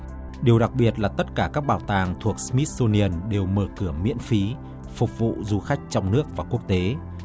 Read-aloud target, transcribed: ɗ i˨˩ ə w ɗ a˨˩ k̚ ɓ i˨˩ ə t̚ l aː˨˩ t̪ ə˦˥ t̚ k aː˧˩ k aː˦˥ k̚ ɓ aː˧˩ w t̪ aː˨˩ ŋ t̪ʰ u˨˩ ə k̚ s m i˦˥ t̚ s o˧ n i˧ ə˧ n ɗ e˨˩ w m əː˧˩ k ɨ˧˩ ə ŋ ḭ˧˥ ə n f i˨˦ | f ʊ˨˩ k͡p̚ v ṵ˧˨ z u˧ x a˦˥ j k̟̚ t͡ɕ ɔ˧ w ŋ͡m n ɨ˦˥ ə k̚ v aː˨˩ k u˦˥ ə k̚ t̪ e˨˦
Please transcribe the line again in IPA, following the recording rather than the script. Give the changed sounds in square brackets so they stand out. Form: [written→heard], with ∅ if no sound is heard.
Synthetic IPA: ɗ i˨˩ ə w ɗ a˨˩ k̚ ɓ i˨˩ ə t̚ l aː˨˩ t̪ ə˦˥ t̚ k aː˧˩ k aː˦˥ k̚ ɓ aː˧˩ w t̪ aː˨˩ ŋ t̪ʰ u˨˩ ə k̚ s m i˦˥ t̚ s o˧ n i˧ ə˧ n ɗ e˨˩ w m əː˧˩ k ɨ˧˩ ə [ŋ→m] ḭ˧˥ ə n f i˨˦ | f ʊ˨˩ k͡p̚ v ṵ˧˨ z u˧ x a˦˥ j k̟̚ t͡ɕ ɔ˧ w ŋ͡m n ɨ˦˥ ə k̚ v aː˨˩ k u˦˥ ə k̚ t̪ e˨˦

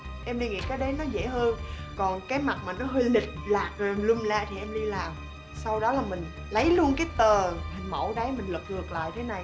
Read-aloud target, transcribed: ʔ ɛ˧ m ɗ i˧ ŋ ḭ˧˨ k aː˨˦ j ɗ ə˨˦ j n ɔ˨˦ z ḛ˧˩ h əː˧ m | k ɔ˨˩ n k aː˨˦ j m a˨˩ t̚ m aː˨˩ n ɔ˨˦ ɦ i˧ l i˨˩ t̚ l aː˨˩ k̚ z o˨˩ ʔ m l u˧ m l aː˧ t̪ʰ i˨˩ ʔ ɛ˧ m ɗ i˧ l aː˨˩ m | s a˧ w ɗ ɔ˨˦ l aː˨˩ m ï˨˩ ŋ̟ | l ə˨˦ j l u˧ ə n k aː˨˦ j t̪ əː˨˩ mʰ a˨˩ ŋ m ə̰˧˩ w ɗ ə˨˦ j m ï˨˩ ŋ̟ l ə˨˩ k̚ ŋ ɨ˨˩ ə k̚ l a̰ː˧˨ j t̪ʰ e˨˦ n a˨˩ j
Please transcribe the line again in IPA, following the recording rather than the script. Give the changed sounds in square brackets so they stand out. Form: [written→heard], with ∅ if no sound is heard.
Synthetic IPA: ʔ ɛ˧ m ɗ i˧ ŋ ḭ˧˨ k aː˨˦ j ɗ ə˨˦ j n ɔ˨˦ z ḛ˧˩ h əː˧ [m→n] | k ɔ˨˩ n k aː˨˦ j m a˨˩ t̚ m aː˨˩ n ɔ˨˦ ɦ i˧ l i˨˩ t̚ l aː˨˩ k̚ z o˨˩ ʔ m l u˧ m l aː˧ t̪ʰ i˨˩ ʔ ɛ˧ m ɗ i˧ l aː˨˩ m | s a˧ w ɗ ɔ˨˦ l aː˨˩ m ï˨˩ ŋ̟ | l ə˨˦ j l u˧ ə n k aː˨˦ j t̪ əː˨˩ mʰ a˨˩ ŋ m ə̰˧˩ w ɗ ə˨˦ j m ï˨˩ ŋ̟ l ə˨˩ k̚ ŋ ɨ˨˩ ə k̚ l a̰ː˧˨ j t̪ʰ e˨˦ n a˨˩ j

